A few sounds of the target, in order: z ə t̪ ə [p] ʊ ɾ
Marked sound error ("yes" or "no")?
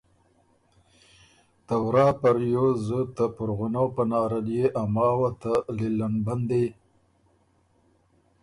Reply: no